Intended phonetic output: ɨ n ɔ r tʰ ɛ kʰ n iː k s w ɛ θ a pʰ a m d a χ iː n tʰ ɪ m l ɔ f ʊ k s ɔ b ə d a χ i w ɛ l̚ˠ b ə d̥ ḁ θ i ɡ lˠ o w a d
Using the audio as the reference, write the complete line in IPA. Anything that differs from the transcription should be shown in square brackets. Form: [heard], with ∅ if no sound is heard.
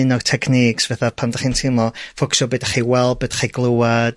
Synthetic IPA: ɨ n ɔ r tʰ ɛ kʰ n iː k s [v] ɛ θ a pʰ a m d a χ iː n tʰ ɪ m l ɔ f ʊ k s ɔ b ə d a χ i w ɛ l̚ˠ b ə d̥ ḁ [χ] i ɡ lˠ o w a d